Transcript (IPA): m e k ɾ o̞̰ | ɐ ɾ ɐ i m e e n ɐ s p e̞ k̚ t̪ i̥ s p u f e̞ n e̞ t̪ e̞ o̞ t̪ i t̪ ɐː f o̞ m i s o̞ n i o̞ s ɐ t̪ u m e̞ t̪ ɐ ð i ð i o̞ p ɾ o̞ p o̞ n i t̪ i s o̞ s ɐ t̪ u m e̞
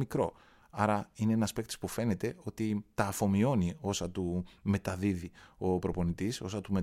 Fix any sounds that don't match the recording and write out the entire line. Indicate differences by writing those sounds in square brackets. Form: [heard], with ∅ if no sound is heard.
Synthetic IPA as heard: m [i] k ɾ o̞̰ | ɐ ɾ ɐ i [n] e e n ɐ s p e̞ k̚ t̪ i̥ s p u f e̞ n e̞ t̪ e̞ o̞ t̪ i t̪ ɐː f o̞ m i [∅] o̞ n i o̞ s ɐ t̪ u m e̞ t̪ ɐ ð i ð i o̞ p ɾ o̞ p o̞ n i t̪ i s o̞ s ɐ t̪ u m e̞